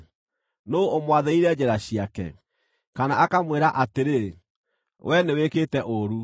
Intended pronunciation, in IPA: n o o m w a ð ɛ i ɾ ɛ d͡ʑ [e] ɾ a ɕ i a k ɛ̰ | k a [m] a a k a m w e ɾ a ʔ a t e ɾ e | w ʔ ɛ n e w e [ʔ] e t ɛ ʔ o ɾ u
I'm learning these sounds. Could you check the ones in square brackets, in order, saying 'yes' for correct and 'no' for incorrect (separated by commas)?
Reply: no, no, no